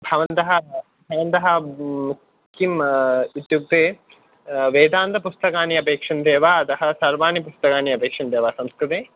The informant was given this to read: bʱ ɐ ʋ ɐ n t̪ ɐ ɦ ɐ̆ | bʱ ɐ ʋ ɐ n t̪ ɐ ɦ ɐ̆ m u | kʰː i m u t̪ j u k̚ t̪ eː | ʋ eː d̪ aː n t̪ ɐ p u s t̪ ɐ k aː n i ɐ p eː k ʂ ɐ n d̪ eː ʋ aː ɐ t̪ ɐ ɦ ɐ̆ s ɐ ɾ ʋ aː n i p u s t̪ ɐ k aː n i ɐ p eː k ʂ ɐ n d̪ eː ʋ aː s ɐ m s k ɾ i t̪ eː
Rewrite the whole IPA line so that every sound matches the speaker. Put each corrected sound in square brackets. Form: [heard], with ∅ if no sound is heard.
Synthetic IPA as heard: bʱ ɐ ʋ ɐ n t̪ ɐ ɦ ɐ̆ | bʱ ɐ ʋ ɐ n t̪ ɐ ɦ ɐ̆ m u | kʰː i m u t̪ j u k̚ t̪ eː | ʋ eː d̪ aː n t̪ ɐ p u s t̪ ɐ k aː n i ɐ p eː k ʂ ɐ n d̪ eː ʋ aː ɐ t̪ ɐ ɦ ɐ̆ s ɐ ɾ ʋ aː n i p u s t̪ ɐ k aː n i ɐ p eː k ʂ ɐ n d̪ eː ʋ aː s ɐ m s k ɾ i t̪ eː